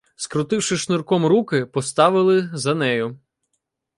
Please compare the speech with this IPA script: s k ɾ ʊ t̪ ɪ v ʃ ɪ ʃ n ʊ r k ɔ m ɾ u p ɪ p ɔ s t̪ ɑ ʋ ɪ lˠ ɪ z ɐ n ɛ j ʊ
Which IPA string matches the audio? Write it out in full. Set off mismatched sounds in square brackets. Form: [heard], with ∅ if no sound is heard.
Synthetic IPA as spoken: s k ɾ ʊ t̪ ɪ [w] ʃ ɪ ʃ n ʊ r k ɔ m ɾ u [k] ɪ p ɔ s t̪ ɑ ʋ ɪ lˠ ɪ z ɐ n ɛ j ʊ